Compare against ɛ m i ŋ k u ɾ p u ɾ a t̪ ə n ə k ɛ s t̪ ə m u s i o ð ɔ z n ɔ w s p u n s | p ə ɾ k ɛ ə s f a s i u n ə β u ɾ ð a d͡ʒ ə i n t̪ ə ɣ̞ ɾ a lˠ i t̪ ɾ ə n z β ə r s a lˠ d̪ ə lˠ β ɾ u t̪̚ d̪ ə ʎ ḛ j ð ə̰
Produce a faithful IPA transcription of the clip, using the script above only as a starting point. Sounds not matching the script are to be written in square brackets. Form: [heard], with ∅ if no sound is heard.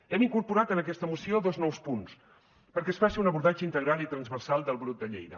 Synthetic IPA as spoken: ɛ m i ŋ k u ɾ p u ɾ a t̪ ə n ə k ɛ s t̪ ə m u s i o ð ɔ z n ɔ w s p u n s | p ə ɾ k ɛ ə s f a s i u n ə β u ɾ ð a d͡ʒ ə i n t̪ ə ɣ̞ ɾ a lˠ i t̪ ɾ ə n z β ə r s a lˠ d̪ ə lˠ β ɾ u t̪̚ d̪ ə ʎ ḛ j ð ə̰